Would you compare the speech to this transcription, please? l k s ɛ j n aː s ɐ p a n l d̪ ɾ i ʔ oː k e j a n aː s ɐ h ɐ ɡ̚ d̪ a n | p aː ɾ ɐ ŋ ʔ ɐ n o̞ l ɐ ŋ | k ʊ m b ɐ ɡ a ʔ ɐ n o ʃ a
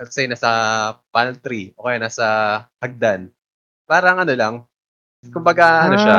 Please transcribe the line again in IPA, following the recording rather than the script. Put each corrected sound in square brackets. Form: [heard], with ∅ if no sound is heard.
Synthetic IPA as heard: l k s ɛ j n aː s ɐ p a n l [t̪] ɾ i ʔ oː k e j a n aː s ɐ h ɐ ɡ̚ d̪ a n | p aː ɾ ɐ ŋ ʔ ɐ n o̞ l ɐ ŋ | k ʊ m b ɐ ɡ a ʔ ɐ n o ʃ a